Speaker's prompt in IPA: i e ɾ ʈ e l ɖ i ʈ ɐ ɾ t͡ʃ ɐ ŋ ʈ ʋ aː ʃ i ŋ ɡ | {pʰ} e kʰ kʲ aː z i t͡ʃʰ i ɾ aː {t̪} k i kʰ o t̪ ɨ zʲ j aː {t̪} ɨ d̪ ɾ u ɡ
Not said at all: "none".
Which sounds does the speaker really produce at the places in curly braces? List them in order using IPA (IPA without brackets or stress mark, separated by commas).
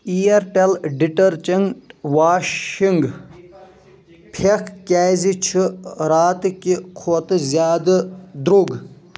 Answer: pʰ, t̪, d̪